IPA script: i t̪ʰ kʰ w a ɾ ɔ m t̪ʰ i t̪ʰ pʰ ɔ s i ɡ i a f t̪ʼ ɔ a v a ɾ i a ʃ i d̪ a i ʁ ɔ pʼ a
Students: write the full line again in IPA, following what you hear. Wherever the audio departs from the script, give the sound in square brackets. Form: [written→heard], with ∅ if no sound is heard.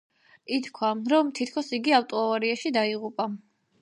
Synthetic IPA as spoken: i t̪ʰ kʰ w a ɾ ɔ m t̪ʰ i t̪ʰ [pʰ→kʰ] ɔ s i ɡ i a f t̪ʼ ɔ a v a ɾ i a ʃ i d̪ a i ʁ [ɔ→u] pʼ a

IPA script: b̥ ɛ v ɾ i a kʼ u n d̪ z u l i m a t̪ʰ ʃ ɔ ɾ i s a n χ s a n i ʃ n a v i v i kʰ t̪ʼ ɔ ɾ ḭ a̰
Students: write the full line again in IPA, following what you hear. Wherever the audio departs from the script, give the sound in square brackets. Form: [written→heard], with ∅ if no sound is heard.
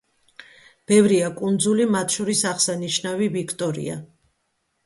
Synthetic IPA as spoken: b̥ ɛ v ɾ i a kʼ u n d̪ z u l i m a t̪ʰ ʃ ɔ ɾ i s a [n→∅] χ s a n i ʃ n a v i v i kʰ t̪ʼ ɔ ɾ ḭ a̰

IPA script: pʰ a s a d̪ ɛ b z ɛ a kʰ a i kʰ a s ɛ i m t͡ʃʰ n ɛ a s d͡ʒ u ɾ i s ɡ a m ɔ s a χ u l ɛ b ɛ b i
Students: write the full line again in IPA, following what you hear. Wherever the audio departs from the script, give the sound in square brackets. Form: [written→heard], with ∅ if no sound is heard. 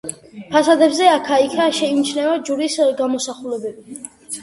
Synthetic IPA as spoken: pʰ a s a d̪ ɛ b z ɛ a kʰ a i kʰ a [s→ʃ] ɛ i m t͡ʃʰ n ɛ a [s→∅] d͡ʒ u ɾ i s ɡ a m ɔ s a χ u l ɛ b ɛ b i

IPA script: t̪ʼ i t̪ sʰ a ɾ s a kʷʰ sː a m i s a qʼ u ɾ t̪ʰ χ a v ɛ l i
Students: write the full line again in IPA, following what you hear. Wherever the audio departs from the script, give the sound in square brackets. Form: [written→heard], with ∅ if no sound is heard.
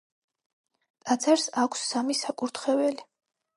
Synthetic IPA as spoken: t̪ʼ [i→a] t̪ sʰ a ɾ s a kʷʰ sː a m i s a [qʼ→kʼ] u ɾ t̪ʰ χ [a→ɛ] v ɛ l i

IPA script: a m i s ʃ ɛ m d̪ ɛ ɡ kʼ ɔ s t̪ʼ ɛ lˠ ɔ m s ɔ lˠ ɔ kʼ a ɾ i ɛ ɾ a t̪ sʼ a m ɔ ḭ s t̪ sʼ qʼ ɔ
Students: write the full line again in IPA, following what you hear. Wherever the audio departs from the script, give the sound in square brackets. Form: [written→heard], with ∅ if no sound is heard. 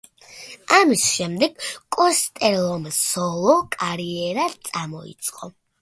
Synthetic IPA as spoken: a m i s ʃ ɛ m d̪ ɛ ɡ kʼ ɔ s t̪ʼ ɛ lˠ ɔ m s ɔ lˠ ɔ kʼ a ɾ i ɛ ɾ a t̪ sʼ a m ɔ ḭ [s→∅] t̪ sʼ qʼ ɔ

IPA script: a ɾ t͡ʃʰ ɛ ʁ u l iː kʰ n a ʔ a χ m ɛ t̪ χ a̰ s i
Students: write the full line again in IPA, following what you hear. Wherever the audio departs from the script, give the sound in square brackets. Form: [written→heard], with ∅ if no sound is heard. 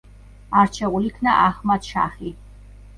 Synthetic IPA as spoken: a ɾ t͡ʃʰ ɛ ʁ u l [iː→i] kʰ n a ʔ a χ m [ɛ→a] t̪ [χ→ʃ] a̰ [s→χ] i

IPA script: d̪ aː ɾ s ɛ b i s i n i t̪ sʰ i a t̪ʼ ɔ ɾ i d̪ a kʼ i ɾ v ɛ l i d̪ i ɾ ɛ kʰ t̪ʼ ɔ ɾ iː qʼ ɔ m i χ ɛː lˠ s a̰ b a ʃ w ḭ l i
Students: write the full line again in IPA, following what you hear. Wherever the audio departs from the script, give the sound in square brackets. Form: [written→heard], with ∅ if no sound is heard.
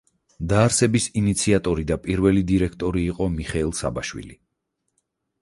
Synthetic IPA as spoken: d̪ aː ɾ s ɛ b i s i n i t̪ sʰ i a t̪ʼ ɔ ɾ i d̪ a [kʼ→pʼ] i ɾ v ɛ l i d̪ i ɾ ɛ kʰ t̪ʼ ɔ ɾ iː qʼ ɔ m i χ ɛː lˠ s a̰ b a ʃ w ḭ l i

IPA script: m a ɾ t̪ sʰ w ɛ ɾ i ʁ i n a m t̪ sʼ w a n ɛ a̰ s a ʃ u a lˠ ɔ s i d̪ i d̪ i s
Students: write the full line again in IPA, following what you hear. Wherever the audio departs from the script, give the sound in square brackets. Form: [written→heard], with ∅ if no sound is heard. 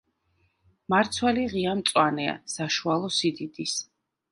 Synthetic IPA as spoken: m a ɾ t̪ sʰ w ɛ [ɾ→l] i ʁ i [n→∅] a m t̪ sʼ w a n ɛ a̰ s a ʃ u a lˠ ɔ s i d̪ i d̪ i s

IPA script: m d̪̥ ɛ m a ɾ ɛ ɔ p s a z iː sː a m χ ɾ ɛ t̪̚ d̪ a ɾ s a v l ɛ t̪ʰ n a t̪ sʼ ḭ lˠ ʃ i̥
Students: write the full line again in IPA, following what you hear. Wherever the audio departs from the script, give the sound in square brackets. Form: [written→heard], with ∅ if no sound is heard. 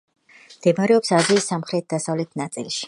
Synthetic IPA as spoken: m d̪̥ ɛ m a ɾ ɛ ɔ p s a z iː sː a m χ ɾ ɛ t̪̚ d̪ a [ɾ→∅] s a v l ɛ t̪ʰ n a t̪ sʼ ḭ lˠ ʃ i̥

